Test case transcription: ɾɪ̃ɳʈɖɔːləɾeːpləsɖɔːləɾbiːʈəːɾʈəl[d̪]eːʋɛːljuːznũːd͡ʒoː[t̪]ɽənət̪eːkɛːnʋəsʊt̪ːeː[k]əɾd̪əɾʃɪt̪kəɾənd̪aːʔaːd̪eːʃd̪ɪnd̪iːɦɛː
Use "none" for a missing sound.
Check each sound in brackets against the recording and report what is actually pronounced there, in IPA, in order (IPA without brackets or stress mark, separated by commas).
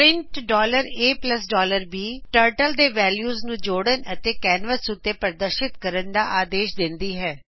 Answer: d̪, none, p